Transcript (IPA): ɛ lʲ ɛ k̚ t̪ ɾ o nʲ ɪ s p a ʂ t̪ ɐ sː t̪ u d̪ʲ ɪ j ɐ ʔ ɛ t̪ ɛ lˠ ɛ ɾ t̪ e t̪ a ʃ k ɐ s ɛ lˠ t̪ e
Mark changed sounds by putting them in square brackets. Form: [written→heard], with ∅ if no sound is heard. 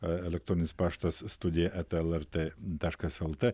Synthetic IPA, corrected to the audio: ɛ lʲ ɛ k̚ t̪ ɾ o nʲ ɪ s p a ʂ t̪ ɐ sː t̪ u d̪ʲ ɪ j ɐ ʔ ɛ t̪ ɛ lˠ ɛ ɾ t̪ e t̪ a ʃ k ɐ s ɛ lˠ t̪ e